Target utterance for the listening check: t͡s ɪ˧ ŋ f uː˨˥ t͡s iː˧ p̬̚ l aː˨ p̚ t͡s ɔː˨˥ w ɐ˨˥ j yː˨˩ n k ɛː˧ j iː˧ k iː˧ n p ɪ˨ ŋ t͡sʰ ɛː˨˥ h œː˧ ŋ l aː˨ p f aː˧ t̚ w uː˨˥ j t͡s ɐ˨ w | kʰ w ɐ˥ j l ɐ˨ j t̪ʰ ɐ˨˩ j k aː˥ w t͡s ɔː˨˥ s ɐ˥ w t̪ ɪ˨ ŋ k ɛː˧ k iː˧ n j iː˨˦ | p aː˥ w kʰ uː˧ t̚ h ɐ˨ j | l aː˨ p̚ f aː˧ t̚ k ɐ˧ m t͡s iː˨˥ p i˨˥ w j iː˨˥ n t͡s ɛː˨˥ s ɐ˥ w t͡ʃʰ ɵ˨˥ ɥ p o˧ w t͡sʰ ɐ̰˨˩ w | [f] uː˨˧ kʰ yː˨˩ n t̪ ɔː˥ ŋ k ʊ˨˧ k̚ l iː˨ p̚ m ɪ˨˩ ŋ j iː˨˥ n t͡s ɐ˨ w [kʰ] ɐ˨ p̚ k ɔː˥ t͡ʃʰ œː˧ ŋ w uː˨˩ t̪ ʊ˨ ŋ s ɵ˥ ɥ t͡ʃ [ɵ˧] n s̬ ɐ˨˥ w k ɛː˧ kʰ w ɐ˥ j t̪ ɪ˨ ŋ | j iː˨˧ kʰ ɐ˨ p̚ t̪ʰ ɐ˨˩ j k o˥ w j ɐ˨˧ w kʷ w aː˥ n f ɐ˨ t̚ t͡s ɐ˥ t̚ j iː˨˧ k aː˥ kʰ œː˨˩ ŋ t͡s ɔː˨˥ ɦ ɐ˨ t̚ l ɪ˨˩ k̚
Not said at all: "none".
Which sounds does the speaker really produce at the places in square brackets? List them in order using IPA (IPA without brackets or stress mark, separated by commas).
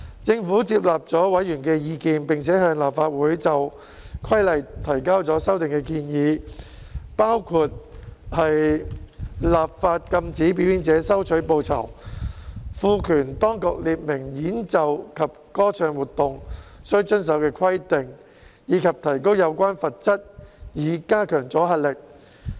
f, kʰ, ɵ˥